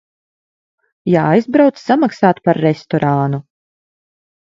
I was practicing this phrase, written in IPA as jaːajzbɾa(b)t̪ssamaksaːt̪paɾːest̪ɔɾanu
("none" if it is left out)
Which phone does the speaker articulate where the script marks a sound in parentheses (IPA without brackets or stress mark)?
w